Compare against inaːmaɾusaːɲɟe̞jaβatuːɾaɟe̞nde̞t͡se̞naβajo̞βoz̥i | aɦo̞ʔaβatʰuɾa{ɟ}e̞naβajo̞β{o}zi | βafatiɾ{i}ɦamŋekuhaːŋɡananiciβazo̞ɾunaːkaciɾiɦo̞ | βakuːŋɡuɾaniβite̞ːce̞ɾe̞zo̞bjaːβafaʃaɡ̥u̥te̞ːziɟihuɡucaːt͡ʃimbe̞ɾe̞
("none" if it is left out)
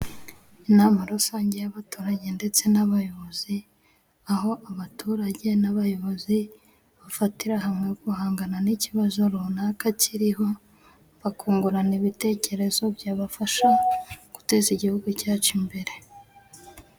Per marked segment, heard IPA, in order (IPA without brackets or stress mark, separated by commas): ɟ, o, a